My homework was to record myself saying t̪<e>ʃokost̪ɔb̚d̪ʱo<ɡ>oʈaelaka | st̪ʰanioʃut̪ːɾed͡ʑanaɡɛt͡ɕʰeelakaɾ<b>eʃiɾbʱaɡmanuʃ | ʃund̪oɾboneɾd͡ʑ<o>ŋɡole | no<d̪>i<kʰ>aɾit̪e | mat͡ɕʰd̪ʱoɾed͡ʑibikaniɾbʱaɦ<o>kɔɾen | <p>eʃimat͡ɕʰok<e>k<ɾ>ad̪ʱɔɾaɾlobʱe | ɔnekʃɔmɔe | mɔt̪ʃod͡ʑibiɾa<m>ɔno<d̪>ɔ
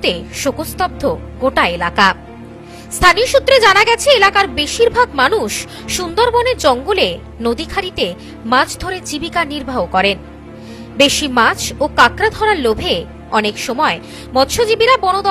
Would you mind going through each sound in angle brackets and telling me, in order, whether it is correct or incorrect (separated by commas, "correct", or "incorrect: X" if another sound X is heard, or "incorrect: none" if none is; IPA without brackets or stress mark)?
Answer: correct, correct, correct, incorrect: ɔ, correct, correct, correct, incorrect: b, incorrect: a, correct, incorrect: b, correct